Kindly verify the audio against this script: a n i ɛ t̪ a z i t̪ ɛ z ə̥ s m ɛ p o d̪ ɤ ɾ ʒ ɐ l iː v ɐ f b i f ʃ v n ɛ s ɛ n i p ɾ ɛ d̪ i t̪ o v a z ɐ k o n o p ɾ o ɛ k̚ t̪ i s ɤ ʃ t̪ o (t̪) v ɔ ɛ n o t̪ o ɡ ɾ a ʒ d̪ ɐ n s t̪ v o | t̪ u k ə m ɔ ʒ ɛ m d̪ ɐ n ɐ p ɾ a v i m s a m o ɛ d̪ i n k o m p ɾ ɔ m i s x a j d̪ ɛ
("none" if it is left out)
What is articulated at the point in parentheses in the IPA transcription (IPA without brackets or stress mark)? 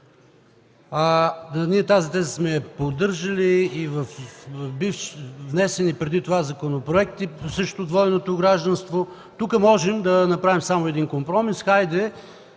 d̪